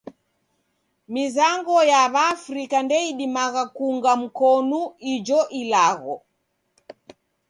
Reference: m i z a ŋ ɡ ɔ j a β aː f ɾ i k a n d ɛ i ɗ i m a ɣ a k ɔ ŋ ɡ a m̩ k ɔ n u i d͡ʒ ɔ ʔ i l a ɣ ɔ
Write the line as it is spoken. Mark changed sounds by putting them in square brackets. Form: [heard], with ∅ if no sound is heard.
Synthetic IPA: m i z a ŋ ɡ ɔ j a β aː f ɾ i k a n d ɛ i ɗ i m a ɣ a k [u] ŋ ɡ a m̩ k ɔ n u i d͡ʒ ɔ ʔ i l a ɣ ɔ

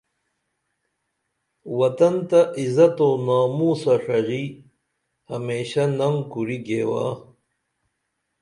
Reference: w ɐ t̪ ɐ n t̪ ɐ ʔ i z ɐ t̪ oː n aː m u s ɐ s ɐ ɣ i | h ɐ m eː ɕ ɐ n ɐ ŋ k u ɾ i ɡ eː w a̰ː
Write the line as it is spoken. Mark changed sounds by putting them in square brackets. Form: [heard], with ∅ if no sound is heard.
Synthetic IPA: w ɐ t̪ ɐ n t̪ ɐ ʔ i z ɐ t̪ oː n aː m u s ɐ [ʂ] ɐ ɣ i | h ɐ m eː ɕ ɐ n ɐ ŋ k u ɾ i ɡ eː w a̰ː

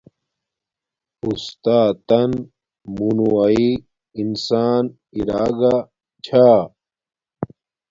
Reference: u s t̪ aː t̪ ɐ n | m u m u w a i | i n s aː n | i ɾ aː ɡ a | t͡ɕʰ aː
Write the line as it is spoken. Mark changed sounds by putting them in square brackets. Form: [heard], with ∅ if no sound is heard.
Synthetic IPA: u s t̪ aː t̪ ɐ n | m u [n] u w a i | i n s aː n | i ɾ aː ɡ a | t͡ɕʰ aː

